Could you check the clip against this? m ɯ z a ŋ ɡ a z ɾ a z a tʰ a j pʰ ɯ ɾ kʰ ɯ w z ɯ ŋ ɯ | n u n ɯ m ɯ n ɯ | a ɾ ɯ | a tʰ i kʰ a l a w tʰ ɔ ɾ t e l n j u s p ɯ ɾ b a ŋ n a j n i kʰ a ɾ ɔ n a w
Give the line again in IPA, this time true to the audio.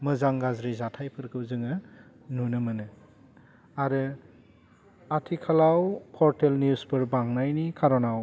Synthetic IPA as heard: m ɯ z a ŋ ɡ a z ɾ i z a tʰ a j pʰ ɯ ɾ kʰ ɯ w z ɯ ŋ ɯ | n u n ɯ m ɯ n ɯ | a ɾ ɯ | a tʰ i kʰ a l a w pʰ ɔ ɾ t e l n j u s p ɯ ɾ b a ŋ n a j n i kʰ a ɾ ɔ n a w

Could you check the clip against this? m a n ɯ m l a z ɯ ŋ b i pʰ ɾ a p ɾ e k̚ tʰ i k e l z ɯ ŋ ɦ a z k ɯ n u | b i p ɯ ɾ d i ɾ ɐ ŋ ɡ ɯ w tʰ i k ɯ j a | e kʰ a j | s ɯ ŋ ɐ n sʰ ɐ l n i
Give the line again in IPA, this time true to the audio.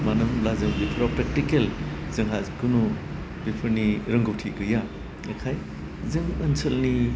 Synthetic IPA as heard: m a n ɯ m l a z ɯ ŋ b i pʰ ɾ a p ɾ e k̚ t i k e l z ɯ ŋ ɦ a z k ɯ n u | b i pʰ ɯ ɾ n i ɾ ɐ ŋ ɡ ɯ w tʰ i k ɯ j a | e kʰ a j | z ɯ ŋ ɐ n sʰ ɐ l n i

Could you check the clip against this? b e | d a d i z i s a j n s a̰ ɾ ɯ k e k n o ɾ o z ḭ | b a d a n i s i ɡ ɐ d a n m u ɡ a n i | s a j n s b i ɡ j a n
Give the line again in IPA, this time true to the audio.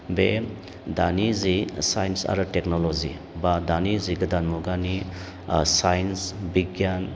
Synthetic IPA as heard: b e | d a n i z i s a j n s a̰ ɾ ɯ t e k n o l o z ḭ | b a d a n i z i ɡ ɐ d a n m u ɡ a n i | s a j n s b i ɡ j a n

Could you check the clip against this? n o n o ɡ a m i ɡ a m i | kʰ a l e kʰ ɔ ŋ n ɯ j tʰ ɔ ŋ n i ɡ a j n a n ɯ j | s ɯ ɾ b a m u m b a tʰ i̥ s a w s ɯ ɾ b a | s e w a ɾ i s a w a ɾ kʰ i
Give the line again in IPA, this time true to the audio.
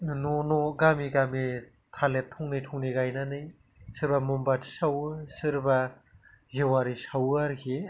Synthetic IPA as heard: n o n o ɡ a m i ɡ a m i | tʰ a l e tʰ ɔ ŋ n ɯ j tʰ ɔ ŋ n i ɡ a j n a n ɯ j | s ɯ ɾ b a m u m b a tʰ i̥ s a w s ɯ ɾ b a | z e w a ɾ i s a w a ɾ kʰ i

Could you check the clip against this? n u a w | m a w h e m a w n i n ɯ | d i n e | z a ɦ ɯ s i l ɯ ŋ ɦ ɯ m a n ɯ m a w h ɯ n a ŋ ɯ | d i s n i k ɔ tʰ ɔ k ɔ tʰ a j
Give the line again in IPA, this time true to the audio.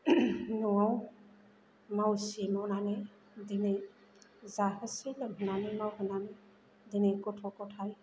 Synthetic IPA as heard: n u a w | m a w s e m a w n a n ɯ | d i n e | z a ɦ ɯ s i l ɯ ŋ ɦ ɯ n a n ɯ m a w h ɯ n a n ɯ | d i n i k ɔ tʰ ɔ k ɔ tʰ a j

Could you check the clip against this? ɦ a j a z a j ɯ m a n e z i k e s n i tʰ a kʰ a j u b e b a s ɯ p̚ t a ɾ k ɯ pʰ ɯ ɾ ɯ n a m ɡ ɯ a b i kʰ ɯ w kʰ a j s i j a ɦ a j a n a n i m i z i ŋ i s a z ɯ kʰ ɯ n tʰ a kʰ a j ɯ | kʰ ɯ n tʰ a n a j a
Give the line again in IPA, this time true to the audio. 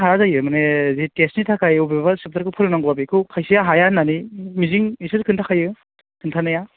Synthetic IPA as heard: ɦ a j a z a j ɯ m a n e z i t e s n i tʰ a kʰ a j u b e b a s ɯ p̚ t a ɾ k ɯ pʰ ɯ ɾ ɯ n a ŋ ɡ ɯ a b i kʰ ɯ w kʰ a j s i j a ɦ a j a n a n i m i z i ŋ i s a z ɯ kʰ ɯ n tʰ a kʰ a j ɯ | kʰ ɯ n tʰ a n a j a

